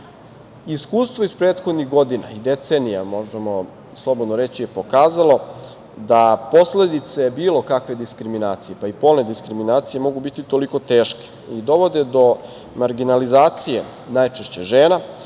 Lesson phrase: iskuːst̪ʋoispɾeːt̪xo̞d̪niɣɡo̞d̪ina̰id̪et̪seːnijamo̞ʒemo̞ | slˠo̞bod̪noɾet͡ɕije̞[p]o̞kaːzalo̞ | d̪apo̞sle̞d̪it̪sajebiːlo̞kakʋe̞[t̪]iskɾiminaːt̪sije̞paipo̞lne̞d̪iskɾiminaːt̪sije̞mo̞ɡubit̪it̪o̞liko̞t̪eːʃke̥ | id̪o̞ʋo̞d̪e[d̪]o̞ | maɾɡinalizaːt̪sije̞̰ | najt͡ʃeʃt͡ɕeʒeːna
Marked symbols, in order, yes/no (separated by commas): yes, no, yes